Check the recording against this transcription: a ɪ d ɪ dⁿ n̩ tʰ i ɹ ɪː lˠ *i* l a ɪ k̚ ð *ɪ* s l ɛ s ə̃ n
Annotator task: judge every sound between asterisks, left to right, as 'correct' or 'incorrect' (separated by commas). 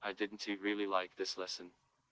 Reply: correct, correct